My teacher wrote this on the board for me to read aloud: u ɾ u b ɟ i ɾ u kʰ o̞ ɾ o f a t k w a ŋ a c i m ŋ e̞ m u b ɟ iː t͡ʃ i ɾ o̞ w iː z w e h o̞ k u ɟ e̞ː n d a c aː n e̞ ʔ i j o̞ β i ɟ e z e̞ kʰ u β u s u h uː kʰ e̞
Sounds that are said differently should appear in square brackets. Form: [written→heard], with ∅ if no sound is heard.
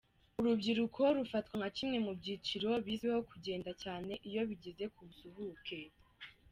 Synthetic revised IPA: u ɾ u b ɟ i ɾ u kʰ o̞ ɾ [o→u] f a t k w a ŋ a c i m ŋ e̞ m u b ɟ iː t͡ʃ i ɾ o̞ [w→β] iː z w e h o̞ k u ɟ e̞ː n d a c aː n e̞ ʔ i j o̞ β i ɟ e z e̞ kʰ u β u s u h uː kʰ e̞